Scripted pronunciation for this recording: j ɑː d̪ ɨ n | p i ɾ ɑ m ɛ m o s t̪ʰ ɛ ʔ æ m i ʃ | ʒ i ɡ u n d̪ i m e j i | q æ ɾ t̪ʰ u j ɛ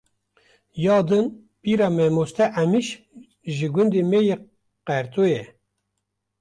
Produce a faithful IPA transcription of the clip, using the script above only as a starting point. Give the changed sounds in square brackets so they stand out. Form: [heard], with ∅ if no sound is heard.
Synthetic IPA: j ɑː d̪ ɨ n | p i ɾ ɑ m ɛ m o s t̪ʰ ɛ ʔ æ m i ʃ | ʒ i ɡ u n d̪ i m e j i | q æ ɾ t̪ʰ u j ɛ